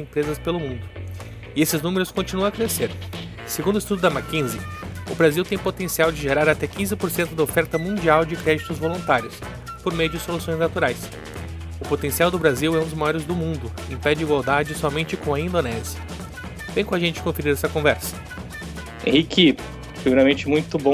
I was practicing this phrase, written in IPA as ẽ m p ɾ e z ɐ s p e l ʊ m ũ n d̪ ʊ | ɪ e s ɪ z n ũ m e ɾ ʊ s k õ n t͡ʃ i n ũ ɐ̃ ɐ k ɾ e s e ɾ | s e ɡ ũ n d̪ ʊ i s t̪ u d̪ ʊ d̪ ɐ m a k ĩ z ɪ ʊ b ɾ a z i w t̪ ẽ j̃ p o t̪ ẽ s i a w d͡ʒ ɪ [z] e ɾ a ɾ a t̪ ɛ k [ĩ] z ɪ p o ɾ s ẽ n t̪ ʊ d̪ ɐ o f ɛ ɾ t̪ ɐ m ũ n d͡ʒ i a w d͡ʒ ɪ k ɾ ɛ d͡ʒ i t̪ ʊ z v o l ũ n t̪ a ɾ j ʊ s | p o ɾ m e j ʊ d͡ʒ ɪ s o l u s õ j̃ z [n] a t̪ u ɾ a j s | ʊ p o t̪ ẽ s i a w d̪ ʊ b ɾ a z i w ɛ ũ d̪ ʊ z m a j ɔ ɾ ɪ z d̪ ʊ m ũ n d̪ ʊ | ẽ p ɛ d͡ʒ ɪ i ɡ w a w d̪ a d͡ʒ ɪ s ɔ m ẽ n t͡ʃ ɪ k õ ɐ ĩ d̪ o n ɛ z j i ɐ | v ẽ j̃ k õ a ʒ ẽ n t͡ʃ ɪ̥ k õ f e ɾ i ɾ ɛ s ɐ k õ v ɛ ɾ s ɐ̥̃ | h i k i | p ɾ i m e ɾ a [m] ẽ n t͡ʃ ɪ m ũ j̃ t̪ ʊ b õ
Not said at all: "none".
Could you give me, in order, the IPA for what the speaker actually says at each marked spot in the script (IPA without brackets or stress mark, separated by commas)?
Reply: ʒ, ĩ, n, m